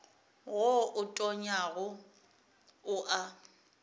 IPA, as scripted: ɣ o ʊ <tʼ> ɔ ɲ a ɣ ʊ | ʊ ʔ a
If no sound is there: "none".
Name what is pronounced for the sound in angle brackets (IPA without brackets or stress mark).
tʼ